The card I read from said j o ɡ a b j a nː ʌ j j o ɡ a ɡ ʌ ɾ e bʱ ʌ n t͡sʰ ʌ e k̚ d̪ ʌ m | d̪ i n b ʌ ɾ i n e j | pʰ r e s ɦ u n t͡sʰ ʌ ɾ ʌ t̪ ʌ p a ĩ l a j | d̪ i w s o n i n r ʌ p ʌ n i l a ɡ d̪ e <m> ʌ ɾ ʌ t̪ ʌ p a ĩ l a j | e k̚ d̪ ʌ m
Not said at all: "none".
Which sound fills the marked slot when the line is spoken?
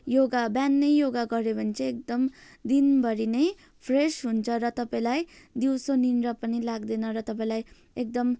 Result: n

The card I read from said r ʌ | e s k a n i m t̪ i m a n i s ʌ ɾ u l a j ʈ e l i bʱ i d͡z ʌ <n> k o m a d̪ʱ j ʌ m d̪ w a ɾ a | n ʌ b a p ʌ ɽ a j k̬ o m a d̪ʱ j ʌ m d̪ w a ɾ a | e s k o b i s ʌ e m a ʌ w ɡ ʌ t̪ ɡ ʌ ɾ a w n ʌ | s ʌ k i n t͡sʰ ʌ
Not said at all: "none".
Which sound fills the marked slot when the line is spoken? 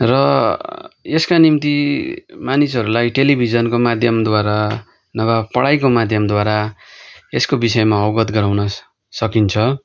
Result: n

